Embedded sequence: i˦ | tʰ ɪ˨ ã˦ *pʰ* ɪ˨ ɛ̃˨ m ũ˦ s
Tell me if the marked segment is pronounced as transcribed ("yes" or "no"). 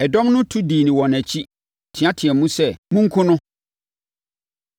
no